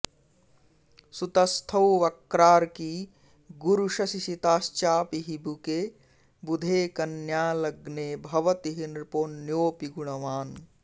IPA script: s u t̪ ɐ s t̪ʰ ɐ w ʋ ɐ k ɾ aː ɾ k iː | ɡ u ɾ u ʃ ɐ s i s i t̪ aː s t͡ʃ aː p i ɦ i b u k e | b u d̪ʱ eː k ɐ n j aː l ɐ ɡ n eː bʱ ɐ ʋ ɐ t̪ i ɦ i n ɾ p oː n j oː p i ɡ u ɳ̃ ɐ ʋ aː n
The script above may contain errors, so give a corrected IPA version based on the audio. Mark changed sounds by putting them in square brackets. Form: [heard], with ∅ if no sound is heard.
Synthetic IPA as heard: s u t̪ ɐ s t̪ʰ ɐ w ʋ ɐ k ɾ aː ɾ k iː | ɡ u ɾ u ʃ ɐ s i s i t̪ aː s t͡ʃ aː p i ɦ i b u k e | b u d̪ʱ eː k ɐ n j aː l ɐ ɡ n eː bʱ ɐ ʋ ɐ t̪ i ɦ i n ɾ p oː n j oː p i ɡ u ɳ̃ ɐ ʋ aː n

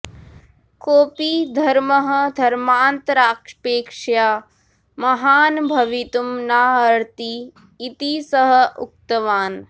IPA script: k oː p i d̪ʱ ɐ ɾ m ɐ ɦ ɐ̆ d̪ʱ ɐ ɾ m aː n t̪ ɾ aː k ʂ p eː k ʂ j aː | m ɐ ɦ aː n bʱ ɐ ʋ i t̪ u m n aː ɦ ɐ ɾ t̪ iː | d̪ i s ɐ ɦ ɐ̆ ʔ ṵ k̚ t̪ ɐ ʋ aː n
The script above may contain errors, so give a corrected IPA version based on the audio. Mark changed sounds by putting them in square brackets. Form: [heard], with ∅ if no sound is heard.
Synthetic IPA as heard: k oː p i d̪ʱ ɐ ɾ m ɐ ɦ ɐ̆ d̪ʱ ɐ ɾ m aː n t̪ ɾ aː k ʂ p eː k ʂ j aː | m ɐ ɦ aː n bʱ ɐ ʋ i t̪ u m n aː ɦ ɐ ɾ t̪ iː | [t̪] i s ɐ ɦ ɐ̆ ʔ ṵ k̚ t̪ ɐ ʋ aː n

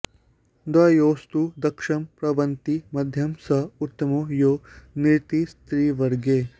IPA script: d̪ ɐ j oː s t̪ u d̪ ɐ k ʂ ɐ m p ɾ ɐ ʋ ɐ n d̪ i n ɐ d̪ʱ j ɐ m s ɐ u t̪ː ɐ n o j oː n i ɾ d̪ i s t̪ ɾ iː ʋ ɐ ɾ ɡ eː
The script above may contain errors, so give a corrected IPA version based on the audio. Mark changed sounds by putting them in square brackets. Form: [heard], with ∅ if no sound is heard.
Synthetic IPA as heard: d̪ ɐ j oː s t̪ u d̪ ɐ k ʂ ɐ m p ɾ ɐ ʋ ɐ n [t̪] i [m] ɐ d̪ʱ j ɐ m s ɐ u t̪ː ɐ [m] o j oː n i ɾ [t̪] i s t̪ ɾ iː ʋ ɐ ɾ ɡ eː

